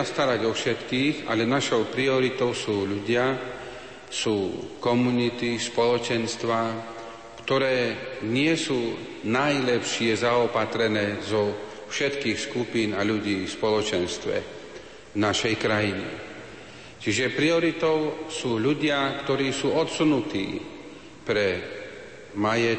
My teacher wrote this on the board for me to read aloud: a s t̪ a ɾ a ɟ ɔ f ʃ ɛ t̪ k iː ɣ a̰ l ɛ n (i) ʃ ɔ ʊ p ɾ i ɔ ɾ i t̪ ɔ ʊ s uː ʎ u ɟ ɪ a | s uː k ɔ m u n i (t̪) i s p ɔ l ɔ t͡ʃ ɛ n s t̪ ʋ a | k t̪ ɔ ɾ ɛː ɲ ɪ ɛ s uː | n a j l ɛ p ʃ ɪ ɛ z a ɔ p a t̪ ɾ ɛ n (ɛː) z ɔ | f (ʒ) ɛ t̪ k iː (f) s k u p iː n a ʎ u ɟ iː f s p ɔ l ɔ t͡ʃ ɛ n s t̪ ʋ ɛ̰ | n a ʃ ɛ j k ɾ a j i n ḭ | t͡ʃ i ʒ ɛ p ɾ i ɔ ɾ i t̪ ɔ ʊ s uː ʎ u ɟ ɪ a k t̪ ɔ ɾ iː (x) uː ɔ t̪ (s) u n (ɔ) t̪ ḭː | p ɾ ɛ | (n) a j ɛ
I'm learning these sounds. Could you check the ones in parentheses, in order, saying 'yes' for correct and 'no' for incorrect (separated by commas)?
no, yes, yes, no, no, no, yes, no, no